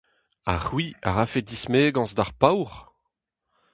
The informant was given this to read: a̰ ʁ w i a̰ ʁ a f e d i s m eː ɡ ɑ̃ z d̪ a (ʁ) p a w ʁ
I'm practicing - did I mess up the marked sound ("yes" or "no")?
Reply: no